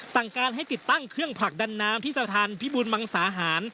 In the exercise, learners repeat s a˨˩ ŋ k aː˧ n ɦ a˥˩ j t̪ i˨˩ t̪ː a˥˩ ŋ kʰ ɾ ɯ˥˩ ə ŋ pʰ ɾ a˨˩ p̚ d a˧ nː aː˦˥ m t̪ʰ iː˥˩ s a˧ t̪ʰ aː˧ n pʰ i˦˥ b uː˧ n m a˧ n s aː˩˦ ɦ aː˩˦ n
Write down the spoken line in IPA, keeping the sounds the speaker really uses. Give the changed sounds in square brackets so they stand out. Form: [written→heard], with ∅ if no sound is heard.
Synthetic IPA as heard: s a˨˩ ŋ k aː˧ n ɦ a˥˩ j t̪ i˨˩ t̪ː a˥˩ ŋ kʰ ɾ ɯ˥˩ ə ŋ pʰ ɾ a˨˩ [p̚→k̚] d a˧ nː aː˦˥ m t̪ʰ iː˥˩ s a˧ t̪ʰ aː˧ n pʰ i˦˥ b uː˧ n m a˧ [n→ŋ] s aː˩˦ ɦ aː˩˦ n